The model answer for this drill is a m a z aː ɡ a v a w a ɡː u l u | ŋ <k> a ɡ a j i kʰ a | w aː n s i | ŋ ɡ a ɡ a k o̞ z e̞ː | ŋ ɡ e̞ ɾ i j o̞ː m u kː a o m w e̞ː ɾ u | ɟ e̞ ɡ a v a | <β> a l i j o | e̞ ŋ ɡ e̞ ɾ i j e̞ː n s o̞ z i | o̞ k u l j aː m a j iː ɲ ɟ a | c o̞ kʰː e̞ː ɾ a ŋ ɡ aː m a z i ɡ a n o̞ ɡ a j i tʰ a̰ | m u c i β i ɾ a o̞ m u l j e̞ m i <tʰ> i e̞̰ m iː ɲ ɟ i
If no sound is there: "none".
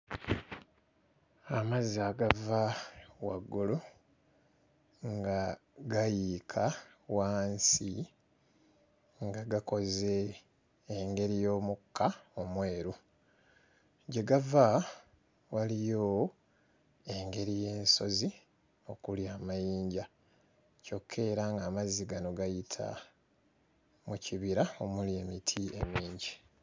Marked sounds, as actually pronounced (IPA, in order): ɡ, w, tʰ

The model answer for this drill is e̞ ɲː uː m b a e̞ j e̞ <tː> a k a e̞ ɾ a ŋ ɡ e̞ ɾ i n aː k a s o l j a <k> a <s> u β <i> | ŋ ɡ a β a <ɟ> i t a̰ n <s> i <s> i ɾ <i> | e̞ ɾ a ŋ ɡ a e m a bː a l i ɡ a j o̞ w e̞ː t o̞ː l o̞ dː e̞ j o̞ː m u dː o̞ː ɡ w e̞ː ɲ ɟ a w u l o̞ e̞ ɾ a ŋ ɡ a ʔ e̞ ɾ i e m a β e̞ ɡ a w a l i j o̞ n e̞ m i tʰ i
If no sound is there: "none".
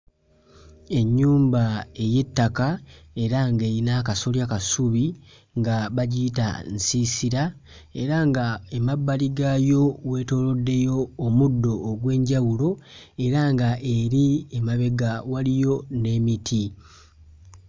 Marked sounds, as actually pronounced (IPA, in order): tː, k, s, i, ɟ, s, s, a

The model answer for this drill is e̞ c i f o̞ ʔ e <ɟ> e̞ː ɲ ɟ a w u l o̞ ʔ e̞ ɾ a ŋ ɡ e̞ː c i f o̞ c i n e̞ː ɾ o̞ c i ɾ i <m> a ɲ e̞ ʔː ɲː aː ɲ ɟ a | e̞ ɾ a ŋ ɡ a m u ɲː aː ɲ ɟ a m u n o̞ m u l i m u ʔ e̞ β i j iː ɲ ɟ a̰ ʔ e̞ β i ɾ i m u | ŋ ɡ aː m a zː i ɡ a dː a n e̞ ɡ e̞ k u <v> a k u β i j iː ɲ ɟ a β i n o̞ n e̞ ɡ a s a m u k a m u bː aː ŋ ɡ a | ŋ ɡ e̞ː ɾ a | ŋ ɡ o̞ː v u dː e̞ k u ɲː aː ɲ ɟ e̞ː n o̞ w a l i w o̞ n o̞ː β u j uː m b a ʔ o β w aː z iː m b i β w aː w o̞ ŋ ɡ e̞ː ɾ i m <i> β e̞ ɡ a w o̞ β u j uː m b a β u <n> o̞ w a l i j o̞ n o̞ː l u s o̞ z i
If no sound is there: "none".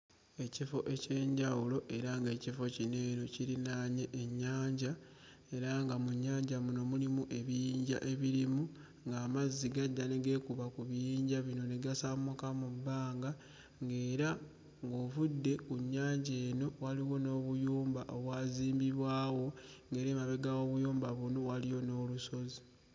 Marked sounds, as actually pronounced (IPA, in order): c, n, β, a, n

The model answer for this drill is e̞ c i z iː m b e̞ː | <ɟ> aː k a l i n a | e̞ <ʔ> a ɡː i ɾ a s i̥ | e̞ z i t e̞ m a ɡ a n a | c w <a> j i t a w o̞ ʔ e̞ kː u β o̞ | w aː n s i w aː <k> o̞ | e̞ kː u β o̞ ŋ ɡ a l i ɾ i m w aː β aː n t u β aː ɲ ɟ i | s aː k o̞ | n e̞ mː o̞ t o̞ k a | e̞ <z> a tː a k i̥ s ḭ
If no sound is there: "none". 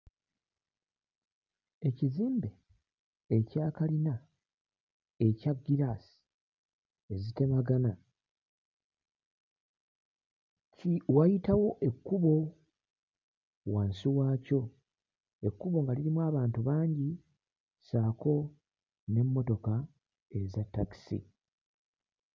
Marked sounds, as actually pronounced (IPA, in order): c, c, a, c, z

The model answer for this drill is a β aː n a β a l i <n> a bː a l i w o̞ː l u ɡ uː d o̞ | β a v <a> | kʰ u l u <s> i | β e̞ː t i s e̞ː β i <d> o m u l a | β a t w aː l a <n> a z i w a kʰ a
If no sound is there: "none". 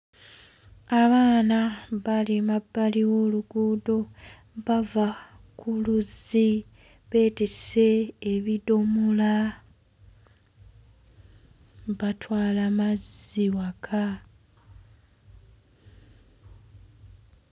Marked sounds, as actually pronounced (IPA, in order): m, a, z, d, m

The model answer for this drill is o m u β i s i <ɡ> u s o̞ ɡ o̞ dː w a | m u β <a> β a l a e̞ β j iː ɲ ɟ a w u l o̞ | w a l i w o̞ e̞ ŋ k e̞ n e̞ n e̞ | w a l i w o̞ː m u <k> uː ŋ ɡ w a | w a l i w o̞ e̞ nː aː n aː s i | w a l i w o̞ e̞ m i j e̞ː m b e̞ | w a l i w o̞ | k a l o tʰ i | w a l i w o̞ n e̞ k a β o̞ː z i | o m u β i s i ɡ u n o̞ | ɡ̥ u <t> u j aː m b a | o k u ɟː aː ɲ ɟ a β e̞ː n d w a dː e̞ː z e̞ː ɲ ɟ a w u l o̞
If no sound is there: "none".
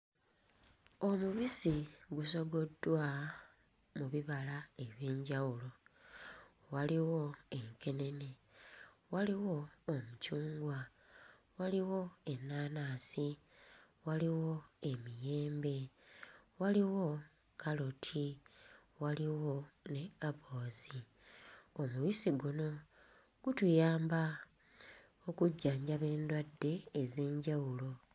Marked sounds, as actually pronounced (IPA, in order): ɡ, i, c, t

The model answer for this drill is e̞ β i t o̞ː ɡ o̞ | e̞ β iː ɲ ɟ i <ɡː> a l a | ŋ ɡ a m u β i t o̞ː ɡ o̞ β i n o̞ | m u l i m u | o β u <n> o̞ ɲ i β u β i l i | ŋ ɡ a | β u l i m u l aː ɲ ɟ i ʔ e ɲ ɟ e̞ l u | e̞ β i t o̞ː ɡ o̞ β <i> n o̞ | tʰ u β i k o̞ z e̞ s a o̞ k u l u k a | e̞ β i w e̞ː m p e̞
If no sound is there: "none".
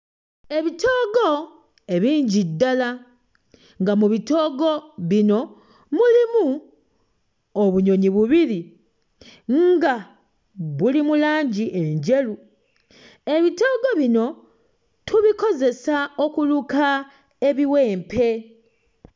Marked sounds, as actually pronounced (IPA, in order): dː, ɲ, i

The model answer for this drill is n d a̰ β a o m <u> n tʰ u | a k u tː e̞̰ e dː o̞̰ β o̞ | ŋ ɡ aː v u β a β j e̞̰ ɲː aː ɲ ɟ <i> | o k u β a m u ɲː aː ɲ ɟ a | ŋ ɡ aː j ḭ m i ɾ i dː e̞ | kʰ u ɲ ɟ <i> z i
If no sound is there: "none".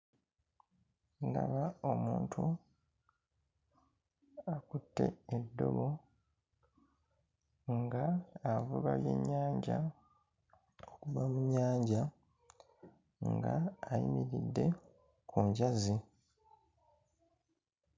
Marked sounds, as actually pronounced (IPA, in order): uː, a, a

